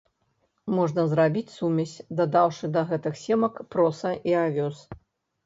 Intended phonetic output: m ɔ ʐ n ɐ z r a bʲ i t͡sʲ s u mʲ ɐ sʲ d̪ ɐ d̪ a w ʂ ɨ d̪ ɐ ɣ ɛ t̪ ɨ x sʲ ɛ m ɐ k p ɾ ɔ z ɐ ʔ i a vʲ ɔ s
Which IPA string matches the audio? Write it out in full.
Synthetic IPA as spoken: m ɔ ʐ n ɐ z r a bʲ i t͡sʲ s u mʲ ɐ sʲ d̪ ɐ d̪ a w ʂ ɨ d̪ ɐ ɣ ɛ t̪ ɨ x sʲ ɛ m ɐ k p ɾ ɔ s ɐ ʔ i a vʲ ɔ s